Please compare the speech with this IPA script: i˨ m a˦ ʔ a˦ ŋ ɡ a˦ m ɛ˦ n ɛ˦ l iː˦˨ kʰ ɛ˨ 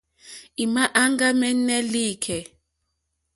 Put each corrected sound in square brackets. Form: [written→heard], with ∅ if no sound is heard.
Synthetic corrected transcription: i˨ m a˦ ʔ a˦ ŋ ɡ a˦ m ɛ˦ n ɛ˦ l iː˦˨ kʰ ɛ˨